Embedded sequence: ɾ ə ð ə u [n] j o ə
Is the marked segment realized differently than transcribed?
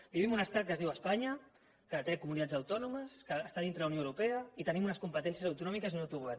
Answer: no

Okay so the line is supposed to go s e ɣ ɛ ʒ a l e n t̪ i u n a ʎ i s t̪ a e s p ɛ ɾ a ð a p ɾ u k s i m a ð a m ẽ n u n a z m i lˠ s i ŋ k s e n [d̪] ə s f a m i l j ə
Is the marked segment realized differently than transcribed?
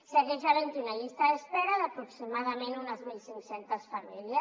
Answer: yes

